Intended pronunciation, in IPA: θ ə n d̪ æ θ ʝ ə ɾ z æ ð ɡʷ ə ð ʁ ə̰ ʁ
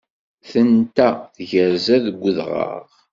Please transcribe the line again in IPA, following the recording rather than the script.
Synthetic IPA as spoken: θ ə n t̪ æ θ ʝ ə ɾ z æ ð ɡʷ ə ð ʁ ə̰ ʁ